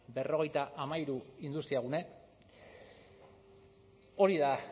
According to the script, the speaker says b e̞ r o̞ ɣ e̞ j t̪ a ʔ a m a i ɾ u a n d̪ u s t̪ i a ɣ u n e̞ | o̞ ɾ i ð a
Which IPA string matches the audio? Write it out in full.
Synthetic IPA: b e̞ r o̞ ɣ e̞ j t̪ a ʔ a m a i ɾ u i n d̪ u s t̪ i a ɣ u n e̞ | o̞ ɾ i ð a